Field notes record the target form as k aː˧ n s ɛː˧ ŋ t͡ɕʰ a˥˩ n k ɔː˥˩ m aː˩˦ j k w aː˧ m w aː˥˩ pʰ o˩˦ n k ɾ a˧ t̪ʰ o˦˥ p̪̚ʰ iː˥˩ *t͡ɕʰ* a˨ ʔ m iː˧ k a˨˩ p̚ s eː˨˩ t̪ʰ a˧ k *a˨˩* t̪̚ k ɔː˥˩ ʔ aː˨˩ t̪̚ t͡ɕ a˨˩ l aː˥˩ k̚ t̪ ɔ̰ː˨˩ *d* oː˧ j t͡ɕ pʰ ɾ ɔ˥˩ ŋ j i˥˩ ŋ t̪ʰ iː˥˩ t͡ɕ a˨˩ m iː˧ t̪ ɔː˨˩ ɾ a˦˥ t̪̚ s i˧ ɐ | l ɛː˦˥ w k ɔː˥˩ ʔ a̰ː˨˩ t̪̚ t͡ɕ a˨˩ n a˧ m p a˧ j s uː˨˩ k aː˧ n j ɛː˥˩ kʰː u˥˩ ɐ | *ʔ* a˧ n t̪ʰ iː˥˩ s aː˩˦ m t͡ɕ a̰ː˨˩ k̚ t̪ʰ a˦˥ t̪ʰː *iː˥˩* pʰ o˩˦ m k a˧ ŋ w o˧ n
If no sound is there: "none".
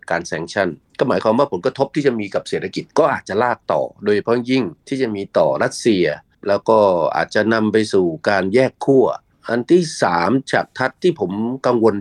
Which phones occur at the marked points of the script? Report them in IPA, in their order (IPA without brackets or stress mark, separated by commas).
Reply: t͡ɕ, i˨˩, d, ʔ, iː˥˩